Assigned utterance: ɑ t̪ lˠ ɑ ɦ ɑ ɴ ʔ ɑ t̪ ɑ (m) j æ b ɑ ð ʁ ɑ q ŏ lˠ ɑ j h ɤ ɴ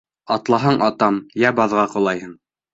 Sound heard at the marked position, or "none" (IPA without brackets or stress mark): m